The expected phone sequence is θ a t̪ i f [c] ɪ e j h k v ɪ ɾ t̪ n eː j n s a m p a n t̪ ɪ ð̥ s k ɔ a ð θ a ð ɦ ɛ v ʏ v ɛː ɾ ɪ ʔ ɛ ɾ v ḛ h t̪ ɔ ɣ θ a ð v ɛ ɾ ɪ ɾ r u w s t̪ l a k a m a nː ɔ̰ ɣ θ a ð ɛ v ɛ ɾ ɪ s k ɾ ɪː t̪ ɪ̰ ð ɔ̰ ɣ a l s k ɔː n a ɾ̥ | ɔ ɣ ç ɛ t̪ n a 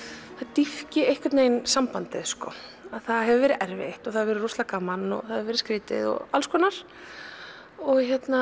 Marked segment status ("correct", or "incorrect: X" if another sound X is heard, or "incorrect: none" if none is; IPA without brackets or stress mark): correct